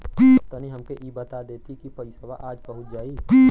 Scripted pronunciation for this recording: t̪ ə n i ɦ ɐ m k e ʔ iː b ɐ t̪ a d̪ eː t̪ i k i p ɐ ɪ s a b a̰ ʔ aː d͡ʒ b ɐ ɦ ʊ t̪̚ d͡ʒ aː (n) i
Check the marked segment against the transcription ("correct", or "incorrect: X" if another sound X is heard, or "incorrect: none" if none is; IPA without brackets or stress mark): incorrect: none